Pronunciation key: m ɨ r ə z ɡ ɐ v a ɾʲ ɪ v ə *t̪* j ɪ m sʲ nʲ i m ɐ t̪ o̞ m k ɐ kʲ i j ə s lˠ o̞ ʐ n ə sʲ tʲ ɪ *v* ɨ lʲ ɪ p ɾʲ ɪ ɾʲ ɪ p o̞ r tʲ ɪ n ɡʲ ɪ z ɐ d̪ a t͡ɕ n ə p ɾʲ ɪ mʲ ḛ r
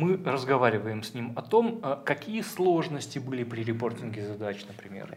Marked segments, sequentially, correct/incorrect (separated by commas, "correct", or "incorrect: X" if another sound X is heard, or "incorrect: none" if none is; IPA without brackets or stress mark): incorrect: none, incorrect: b